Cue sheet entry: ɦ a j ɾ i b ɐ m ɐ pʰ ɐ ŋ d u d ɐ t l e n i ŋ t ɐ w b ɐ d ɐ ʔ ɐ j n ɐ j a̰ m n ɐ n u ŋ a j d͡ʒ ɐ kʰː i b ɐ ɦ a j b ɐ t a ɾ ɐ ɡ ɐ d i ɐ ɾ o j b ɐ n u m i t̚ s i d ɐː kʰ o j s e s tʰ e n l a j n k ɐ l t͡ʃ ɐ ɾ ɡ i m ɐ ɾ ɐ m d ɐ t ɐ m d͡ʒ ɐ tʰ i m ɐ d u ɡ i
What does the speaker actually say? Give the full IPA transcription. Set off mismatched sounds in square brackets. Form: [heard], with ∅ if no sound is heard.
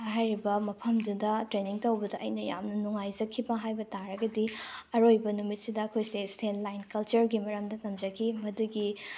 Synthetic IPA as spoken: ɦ a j ɾ i b ɐ m ɐ pʰ ɐ [m] d u d ɐ t [ɾ] e n i ŋ t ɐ w b ɐ d ɐ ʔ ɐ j n ɐ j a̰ m n ɐ n u ŋ a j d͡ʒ ɐ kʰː i b ɐ ɦ a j b ɐ t a ɾ ɐ ɡ ɐ d i ɐ ɾ o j b ɐ n u m i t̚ s i d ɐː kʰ o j s e s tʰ e n l a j n k ɐ l t͡ʃ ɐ ɾ ɡ i m ɐ ɾ ɐ m d ɐ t ɐ m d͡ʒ ɐ [kʰ] i m ɐ d u ɡ i